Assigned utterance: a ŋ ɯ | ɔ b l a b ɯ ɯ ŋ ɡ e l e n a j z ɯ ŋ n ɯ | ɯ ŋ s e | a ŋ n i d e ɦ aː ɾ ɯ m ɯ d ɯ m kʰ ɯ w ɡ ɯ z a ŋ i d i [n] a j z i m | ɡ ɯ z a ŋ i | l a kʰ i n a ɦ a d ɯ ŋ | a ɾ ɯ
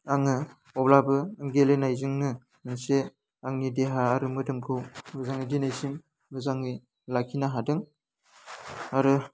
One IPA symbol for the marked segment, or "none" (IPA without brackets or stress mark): n